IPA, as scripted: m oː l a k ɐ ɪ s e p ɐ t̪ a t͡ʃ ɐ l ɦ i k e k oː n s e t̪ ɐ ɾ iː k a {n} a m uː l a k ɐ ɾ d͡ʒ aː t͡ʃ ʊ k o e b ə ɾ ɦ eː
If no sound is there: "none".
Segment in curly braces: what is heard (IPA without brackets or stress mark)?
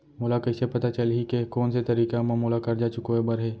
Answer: m